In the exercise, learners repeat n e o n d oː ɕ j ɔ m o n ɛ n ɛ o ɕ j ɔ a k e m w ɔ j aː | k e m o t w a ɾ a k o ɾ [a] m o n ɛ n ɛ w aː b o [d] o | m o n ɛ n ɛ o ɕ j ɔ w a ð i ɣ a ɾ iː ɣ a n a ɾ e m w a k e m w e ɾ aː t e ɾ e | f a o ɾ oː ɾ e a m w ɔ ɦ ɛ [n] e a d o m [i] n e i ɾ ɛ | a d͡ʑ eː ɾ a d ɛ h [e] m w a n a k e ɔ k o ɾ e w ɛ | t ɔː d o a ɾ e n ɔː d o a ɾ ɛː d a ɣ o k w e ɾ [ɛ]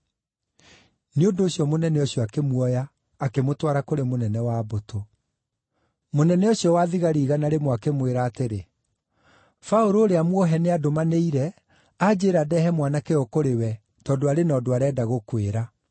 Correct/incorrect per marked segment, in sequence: incorrect: e, incorrect: t, correct, incorrect: a, incorrect: ɛ, incorrect: a

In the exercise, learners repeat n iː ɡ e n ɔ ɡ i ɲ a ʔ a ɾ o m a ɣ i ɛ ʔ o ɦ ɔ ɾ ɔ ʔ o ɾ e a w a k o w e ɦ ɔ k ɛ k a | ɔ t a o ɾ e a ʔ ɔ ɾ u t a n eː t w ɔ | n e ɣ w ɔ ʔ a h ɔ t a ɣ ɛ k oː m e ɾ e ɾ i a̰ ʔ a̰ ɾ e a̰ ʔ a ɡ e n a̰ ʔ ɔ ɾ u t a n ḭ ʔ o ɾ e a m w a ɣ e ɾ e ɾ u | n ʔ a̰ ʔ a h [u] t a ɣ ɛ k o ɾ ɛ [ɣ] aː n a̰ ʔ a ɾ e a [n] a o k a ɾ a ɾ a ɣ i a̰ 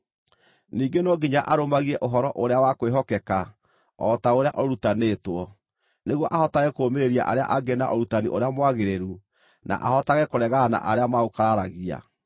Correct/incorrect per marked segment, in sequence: incorrect: ɔ, correct, incorrect: m

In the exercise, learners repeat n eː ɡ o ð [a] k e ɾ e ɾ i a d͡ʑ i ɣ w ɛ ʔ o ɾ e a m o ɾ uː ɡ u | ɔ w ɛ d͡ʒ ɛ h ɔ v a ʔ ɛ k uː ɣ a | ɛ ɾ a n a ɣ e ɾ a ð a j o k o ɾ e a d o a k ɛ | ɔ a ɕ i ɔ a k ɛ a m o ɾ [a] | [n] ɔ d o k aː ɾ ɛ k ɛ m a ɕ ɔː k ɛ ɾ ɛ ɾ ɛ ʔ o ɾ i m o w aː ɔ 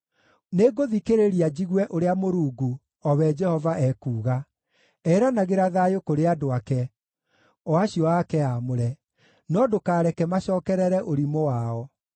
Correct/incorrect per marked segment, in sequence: incorrect: i, incorrect: ɛ, correct

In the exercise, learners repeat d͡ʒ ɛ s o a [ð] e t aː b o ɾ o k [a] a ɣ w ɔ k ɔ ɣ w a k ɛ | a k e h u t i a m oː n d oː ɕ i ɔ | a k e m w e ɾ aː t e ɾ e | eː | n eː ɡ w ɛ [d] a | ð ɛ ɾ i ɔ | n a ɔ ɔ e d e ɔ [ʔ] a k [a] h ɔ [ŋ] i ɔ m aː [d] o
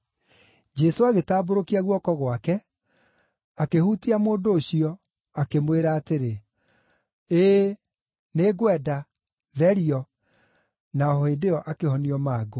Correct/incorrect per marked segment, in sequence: incorrect: ɣ, incorrect: i, correct, correct, incorrect: e, incorrect: n, incorrect: ɡ

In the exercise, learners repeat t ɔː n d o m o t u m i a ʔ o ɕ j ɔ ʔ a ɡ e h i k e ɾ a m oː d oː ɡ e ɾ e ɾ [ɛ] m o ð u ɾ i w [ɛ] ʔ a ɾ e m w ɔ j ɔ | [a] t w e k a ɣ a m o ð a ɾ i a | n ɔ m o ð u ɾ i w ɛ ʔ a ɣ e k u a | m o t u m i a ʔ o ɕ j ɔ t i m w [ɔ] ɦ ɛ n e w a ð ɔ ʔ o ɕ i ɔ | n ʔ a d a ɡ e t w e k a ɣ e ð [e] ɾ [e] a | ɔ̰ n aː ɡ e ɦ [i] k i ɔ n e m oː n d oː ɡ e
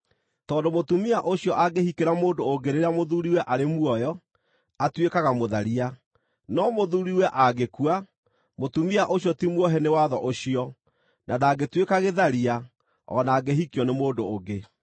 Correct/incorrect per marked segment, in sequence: incorrect: a, correct, correct, correct, incorrect: a, incorrect: i, correct

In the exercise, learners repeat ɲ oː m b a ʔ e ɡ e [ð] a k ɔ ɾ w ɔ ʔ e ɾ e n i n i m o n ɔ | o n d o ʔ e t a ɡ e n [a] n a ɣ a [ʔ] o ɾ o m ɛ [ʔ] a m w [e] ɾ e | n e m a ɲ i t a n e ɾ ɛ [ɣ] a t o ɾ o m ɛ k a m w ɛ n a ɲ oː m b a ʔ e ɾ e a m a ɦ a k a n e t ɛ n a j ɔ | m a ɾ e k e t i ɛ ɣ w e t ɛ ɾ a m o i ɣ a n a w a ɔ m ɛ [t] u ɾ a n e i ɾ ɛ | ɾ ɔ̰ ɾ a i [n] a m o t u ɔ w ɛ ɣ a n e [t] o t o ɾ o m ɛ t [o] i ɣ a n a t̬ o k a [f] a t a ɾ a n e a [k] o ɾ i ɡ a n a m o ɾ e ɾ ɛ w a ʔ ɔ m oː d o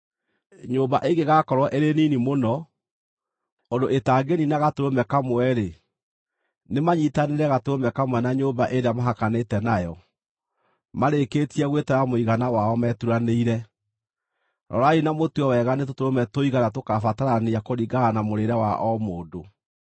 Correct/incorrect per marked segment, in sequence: incorrect: ɣ, incorrect: i, incorrect: t, incorrect: k, incorrect: ɛ, correct, correct, correct, correct, correct, correct, correct

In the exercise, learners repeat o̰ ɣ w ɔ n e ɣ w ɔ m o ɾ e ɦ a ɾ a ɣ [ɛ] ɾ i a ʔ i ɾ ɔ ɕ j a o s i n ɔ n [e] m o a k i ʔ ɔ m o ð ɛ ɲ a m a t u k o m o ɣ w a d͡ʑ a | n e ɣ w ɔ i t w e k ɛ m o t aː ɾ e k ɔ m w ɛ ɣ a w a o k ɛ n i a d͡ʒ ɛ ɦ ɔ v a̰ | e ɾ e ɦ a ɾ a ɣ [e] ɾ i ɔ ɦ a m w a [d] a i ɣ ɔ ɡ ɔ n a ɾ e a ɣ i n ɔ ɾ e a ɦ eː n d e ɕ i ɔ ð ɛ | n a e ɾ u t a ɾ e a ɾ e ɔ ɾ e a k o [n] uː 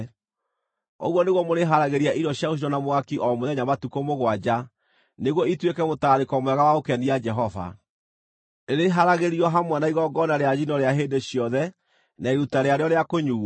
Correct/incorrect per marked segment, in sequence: incorrect: e, incorrect: a, correct, incorrect: n, incorrect: ɲ

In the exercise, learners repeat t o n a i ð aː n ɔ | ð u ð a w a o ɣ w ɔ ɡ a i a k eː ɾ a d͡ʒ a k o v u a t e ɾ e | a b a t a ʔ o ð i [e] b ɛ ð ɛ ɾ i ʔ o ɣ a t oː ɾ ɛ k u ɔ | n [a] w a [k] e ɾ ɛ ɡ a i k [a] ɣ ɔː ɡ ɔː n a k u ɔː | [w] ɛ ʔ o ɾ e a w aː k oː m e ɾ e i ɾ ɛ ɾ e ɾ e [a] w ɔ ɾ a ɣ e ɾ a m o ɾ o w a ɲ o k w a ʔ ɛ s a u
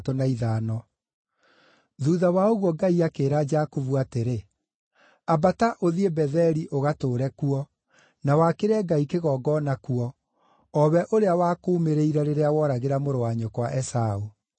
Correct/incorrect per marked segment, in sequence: correct, correct, correct, incorrect: e, incorrect: β, correct

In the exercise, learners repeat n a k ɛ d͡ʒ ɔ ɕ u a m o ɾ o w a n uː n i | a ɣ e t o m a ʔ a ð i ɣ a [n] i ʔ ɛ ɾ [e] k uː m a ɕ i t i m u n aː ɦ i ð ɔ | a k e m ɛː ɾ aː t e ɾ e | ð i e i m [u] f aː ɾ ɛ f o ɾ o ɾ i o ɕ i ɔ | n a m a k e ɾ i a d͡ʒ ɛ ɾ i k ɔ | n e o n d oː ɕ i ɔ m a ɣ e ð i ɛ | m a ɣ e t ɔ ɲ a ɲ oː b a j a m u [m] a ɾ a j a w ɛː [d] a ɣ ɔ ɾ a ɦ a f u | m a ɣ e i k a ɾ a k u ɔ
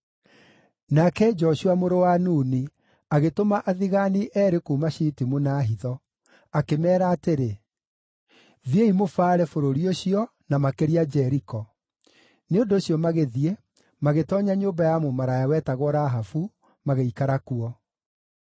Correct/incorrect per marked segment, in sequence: correct, correct, incorrect: o, correct, incorrect: t

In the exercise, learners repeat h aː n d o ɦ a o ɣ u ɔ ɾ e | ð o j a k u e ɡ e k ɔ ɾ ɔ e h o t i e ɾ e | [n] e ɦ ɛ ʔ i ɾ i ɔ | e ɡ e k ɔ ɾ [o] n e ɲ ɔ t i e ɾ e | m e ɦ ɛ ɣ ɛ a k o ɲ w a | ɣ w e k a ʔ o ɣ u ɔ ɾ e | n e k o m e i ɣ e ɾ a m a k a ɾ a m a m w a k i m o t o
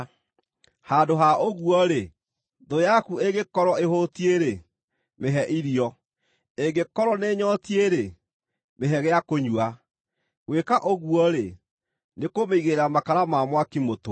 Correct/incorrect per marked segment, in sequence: incorrect: m, incorrect: ɔ

